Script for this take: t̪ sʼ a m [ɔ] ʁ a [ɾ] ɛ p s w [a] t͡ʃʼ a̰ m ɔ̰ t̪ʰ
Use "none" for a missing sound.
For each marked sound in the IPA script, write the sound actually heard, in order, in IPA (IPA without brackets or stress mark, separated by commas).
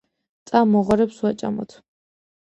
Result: ɔ, ɾ, a